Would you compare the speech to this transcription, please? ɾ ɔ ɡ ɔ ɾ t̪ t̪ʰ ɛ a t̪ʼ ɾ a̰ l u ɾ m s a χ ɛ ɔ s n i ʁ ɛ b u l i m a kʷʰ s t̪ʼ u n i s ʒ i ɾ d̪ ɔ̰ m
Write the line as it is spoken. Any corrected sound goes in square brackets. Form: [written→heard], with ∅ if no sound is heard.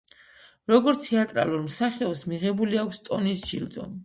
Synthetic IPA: ɾ ɔ ɡ ɔ ɾ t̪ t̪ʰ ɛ a t̪ʼ ɾ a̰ l u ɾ m s a χ ɛ ɔ s [n→m] i ʁ ɛ b u l i [m→∅] a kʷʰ s t̪ʼ [u→ɔ] n i s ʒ i [ɾ→l] d̪ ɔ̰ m